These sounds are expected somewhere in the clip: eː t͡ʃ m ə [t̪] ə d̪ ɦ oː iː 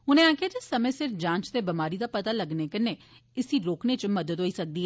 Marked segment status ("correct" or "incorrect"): incorrect